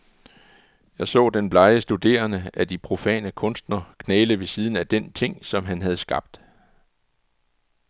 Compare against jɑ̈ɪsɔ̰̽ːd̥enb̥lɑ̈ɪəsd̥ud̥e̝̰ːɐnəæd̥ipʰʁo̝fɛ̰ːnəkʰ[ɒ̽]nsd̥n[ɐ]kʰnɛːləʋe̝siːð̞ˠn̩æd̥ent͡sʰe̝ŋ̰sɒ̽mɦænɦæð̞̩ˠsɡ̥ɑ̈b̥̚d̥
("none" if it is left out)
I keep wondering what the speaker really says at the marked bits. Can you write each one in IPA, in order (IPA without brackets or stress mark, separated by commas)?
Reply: ɔ̽, ɐ